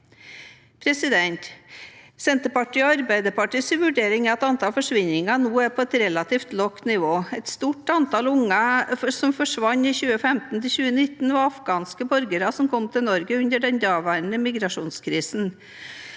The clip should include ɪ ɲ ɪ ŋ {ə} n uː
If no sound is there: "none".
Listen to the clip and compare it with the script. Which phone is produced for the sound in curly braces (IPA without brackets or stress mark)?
ɑ